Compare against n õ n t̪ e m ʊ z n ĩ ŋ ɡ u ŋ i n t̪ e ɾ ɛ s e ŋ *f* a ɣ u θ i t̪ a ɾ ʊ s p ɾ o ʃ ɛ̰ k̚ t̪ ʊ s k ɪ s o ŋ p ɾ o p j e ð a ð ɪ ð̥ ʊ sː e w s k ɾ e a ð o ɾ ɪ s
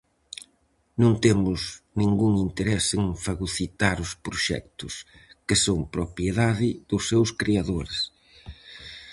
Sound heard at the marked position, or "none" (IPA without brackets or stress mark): f